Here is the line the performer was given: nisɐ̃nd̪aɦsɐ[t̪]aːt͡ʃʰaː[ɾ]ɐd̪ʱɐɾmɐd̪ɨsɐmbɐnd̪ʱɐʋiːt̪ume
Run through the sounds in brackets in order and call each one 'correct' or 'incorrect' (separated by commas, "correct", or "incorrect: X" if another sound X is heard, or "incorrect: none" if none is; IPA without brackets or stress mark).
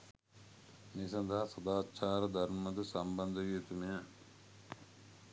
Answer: incorrect: d̪, correct